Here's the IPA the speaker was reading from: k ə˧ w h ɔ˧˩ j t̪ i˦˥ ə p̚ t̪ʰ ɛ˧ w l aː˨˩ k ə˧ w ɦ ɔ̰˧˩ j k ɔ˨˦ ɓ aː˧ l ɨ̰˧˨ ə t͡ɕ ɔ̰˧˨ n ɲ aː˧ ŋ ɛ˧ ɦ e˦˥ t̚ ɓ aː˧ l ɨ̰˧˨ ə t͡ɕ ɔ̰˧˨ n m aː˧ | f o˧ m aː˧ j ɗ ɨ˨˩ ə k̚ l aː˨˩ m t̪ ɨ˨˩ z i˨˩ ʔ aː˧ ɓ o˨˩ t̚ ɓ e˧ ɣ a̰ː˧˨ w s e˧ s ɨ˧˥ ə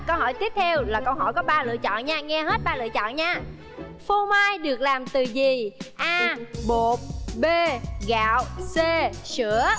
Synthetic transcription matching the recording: k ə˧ w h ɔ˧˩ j t̪ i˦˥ ə p̚ t̪ʰ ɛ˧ w l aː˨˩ k ə˧ w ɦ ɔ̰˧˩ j k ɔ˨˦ ɓ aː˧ l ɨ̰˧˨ ə t͡ɕ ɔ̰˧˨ n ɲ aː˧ ŋ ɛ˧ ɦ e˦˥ t̚ ɓ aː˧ l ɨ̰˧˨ ə t͡ɕ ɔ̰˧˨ n ɲ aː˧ | f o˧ m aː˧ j ɗ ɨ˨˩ ə k̚ l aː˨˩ m t̪ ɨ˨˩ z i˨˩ ʔ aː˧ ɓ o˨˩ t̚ ɓ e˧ ɣ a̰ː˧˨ w s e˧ s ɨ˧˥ ə